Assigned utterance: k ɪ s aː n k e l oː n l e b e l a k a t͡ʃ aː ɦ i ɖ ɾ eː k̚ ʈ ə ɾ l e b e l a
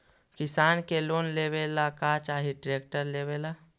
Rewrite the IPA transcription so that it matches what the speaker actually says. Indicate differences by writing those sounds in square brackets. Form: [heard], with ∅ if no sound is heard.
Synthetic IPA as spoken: k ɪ s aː n k e l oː n l e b e l a k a t͡ʃ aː ɦ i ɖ ɾ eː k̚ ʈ ə ɾ l e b e l a